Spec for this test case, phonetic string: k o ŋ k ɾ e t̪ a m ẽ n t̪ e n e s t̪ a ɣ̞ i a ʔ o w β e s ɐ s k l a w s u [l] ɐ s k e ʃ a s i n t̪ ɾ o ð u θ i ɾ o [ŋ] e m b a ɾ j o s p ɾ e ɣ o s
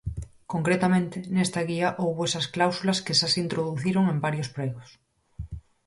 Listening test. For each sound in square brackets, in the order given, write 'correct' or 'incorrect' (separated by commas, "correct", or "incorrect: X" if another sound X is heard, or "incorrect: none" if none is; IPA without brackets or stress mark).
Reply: correct, correct